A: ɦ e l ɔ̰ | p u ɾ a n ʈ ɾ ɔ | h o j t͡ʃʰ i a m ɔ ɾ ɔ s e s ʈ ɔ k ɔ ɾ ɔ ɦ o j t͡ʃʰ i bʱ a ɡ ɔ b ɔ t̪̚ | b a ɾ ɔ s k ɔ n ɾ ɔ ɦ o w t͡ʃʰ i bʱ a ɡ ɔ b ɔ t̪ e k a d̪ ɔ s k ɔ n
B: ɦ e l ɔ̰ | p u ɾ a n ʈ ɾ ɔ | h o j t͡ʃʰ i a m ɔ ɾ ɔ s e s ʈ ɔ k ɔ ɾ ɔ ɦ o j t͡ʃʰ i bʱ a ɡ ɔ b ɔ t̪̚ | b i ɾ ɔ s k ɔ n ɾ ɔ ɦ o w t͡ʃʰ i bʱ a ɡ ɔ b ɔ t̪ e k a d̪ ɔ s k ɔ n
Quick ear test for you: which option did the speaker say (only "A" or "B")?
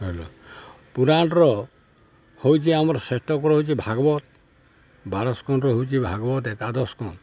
A